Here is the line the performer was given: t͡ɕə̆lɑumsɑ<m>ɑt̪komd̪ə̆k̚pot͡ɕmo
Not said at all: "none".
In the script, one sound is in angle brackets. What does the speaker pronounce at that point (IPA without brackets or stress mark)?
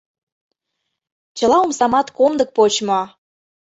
m